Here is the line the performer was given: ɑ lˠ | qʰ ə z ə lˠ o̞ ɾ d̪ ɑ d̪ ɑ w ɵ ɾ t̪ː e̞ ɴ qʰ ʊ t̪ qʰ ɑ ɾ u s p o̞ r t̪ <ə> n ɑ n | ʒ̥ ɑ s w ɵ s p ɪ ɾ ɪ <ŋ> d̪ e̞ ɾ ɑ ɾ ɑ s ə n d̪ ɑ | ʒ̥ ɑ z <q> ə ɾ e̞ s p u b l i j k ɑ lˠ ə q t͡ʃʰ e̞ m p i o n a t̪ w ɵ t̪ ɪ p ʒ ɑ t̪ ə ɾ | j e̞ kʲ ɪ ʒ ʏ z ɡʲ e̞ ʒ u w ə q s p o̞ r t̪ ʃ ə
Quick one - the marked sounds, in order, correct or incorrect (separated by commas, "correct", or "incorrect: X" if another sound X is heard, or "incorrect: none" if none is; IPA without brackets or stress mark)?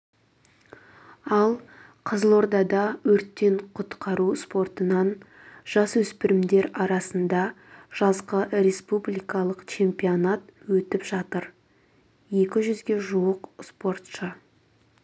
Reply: correct, incorrect: m, correct